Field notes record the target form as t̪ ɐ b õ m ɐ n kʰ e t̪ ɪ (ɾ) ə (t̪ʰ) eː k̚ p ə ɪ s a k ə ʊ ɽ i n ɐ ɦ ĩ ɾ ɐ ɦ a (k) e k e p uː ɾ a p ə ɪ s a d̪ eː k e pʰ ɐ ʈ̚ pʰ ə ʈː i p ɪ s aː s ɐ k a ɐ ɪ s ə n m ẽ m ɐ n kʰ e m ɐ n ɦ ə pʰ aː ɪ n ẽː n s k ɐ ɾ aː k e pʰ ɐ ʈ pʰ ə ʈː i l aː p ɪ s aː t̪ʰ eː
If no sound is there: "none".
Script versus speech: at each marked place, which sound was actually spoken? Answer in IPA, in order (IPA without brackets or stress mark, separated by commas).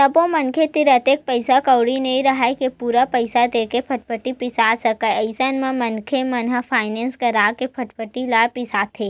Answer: ɾ, t̪, none